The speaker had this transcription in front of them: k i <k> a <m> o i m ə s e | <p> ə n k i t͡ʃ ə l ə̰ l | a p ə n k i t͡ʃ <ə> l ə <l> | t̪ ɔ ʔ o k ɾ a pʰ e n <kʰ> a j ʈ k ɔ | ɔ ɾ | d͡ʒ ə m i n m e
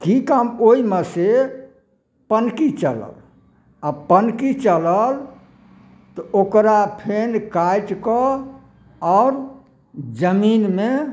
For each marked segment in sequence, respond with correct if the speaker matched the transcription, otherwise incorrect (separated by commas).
correct, correct, correct, correct, correct, incorrect